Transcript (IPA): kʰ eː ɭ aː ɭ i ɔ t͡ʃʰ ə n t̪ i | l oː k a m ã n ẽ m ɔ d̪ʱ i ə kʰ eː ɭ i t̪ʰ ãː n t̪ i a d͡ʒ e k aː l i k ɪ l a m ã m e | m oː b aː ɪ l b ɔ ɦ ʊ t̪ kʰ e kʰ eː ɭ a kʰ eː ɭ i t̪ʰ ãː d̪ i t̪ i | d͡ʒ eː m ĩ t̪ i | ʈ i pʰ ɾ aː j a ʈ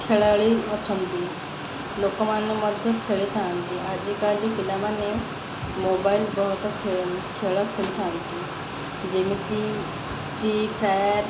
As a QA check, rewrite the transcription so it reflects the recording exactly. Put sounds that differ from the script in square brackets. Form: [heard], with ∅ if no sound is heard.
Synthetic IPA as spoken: kʰ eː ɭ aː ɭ i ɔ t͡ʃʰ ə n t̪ i | l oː k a m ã n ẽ m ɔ d̪ʱ [j] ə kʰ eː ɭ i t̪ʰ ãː n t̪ i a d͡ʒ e k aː l i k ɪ l a m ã [n] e | m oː b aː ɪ l b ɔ ɦ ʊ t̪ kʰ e kʰ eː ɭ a kʰ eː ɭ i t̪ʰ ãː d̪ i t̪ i | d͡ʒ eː m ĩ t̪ i | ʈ i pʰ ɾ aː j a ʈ